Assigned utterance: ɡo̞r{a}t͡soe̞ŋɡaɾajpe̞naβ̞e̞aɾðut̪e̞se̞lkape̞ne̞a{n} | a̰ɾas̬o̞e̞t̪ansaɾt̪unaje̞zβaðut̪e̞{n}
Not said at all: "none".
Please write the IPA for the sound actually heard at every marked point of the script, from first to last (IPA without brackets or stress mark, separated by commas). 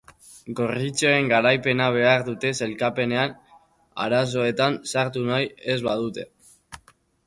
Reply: i, n, none